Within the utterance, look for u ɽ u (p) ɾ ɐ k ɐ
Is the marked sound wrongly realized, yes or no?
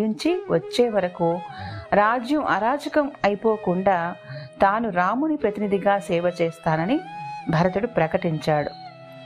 no